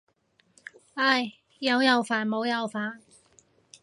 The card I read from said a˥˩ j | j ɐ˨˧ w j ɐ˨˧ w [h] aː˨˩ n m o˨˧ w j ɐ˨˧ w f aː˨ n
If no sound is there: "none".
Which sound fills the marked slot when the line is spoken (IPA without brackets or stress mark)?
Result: f